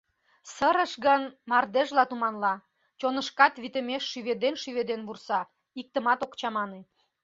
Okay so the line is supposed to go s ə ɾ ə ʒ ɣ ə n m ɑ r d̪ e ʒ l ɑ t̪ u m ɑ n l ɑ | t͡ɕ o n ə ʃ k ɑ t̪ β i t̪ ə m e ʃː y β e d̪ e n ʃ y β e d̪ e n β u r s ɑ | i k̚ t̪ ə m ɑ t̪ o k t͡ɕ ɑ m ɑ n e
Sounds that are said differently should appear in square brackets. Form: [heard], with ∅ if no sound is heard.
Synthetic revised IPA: s ə ɾ ə [ʃ] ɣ ə n m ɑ r d̪ e ʒ l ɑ t̪ u m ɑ n l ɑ | t͡ɕ o n ə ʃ k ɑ t̪ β i t̪ ə m e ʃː y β e d̪ e n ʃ y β e d̪ e n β u r s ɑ | i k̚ t̪ ə m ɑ t̪ o k t͡ɕ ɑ m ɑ n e